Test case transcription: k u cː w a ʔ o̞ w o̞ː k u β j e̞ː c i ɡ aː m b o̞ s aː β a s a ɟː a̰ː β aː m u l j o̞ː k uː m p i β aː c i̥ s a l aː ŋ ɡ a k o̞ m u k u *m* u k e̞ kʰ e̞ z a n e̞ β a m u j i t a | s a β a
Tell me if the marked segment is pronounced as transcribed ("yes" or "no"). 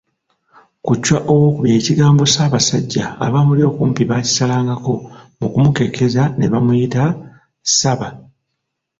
yes